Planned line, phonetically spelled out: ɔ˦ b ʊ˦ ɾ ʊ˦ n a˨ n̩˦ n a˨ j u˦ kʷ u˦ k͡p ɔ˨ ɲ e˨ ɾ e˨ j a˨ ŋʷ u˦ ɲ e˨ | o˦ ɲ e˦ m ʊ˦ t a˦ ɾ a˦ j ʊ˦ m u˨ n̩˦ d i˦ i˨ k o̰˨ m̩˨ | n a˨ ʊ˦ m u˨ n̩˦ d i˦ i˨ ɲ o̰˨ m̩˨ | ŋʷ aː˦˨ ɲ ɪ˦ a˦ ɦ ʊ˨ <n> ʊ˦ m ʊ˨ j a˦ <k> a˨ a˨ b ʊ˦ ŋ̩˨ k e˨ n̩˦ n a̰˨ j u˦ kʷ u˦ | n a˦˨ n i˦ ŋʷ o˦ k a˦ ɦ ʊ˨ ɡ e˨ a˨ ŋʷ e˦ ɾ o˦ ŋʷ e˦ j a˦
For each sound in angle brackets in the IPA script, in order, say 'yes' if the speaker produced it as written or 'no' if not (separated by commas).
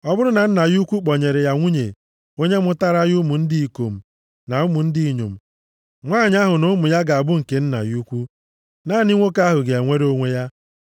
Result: yes, no